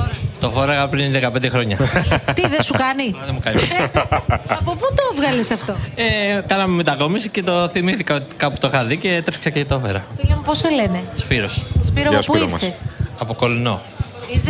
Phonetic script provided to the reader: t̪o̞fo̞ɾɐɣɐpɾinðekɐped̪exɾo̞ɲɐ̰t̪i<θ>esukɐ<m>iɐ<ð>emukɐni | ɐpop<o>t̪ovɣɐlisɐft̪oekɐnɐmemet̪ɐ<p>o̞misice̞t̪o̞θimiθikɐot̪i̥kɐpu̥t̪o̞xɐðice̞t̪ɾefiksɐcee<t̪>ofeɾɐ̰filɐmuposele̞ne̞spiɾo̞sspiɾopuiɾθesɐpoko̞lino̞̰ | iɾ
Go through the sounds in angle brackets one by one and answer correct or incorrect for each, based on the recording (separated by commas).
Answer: incorrect, incorrect, correct, incorrect, incorrect, correct